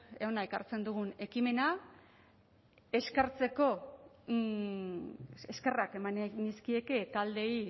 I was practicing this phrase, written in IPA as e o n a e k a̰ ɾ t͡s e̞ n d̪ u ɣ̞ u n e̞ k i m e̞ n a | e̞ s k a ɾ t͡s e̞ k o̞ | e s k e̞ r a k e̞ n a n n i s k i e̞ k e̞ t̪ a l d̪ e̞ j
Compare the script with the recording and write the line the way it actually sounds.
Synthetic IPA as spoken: e o n a e k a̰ ɾ t͡s e̞ n d̪ u ɣ̞ u n e̞ k i m e̞ n a | e̞ s k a ɾ t͡s e̞ k o̞ | e s k e̞ r a k e̞ m a n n i s k i e̞ k e̞ t̪ a l d̪ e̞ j